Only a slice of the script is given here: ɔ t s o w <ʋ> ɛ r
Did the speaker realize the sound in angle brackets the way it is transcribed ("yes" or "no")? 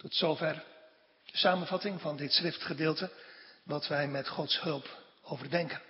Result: no